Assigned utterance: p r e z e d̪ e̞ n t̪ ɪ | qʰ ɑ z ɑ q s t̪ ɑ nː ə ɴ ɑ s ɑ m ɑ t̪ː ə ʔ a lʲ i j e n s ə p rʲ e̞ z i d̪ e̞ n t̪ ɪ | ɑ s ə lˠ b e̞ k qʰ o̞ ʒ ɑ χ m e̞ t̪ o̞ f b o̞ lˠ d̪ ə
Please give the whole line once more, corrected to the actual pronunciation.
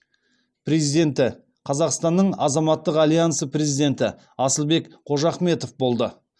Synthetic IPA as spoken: p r e z i d̪ e̞ n t̪ ɪ | qʰ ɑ z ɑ q s t̪ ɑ nː ə ɴ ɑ z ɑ m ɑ t̪ː ə q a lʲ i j a n s ə p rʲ e̞ z i d̪ e̞ n t̪ ɪ | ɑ s ə lˠ b e̞ k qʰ o̞ ʒ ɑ χ m e̞ t̪ o̞ f b o̞ lˠ d̪ ə